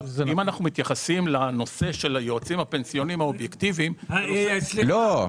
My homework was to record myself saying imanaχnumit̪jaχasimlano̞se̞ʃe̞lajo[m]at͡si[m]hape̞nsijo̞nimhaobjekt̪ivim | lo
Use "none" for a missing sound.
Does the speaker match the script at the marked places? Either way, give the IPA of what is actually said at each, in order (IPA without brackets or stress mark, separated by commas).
none, m